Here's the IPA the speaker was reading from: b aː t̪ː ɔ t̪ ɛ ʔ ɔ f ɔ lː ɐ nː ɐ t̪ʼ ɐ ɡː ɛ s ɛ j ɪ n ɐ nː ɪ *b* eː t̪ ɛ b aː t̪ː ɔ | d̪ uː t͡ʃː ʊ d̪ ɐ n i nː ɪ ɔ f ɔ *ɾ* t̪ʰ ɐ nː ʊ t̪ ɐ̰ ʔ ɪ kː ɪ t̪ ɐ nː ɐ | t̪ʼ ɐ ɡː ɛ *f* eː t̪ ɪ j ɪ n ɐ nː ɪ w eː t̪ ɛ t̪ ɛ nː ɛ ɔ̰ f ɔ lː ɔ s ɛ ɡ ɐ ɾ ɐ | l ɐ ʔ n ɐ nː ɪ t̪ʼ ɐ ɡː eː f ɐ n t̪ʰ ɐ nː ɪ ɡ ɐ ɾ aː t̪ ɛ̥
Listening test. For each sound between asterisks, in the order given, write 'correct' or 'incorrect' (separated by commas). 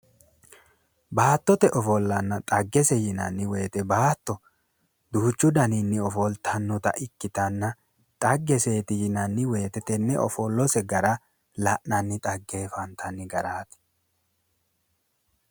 incorrect, incorrect, incorrect